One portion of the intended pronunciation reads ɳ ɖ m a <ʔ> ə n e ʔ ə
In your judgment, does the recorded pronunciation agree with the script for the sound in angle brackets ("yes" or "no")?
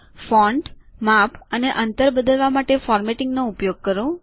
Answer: no